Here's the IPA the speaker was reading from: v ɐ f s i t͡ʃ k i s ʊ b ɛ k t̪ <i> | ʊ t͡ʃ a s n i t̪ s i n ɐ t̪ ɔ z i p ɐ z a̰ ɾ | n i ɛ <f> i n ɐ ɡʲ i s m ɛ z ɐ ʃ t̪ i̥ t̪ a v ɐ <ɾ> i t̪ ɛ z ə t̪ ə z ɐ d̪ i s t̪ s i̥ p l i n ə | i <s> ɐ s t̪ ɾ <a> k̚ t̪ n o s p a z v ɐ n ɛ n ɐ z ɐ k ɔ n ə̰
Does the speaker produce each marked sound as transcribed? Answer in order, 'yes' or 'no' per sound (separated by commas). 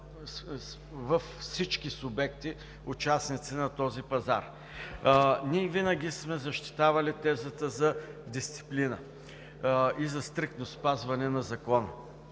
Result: yes, no, no, no, no